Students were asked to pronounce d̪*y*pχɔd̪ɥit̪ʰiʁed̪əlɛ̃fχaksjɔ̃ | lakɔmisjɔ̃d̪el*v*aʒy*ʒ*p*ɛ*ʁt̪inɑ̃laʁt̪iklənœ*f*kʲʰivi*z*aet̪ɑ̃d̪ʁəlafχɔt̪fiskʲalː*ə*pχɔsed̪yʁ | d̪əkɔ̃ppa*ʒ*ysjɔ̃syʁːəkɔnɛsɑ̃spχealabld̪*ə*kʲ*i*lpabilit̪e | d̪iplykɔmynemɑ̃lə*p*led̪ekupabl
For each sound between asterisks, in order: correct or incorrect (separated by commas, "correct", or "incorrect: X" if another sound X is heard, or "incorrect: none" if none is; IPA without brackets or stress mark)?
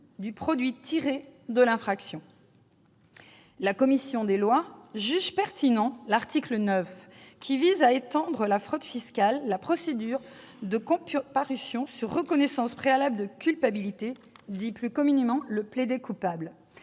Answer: correct, incorrect: w, correct, correct, correct, correct, incorrect: a, incorrect: ʁ, correct, incorrect: y, correct